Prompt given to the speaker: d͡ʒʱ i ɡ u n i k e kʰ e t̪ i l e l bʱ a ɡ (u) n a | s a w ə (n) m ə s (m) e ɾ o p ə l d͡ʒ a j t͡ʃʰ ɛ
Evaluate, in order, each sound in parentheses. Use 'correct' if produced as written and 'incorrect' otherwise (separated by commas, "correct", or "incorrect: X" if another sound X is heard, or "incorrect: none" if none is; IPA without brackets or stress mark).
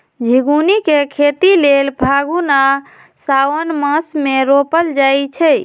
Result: correct, correct, correct